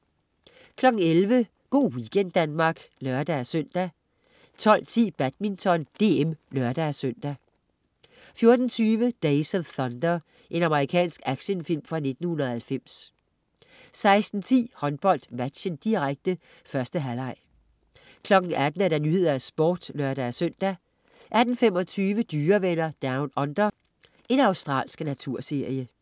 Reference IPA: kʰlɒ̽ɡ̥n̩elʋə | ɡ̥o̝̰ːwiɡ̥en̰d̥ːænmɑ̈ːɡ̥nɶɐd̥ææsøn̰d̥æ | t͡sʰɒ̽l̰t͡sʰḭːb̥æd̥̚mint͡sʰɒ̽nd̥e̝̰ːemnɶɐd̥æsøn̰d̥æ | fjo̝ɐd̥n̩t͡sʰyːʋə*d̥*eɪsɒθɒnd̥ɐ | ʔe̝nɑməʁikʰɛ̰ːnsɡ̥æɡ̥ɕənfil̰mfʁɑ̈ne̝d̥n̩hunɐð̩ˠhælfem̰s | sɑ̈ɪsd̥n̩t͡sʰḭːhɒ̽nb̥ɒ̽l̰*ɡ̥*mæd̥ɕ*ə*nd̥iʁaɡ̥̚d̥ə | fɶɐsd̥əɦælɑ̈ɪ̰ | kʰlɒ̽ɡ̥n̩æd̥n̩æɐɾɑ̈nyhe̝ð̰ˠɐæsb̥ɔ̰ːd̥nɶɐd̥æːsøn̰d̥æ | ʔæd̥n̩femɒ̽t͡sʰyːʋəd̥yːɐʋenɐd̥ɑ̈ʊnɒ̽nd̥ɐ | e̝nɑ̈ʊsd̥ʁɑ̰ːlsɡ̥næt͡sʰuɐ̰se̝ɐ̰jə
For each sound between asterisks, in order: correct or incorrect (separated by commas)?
correct, incorrect, correct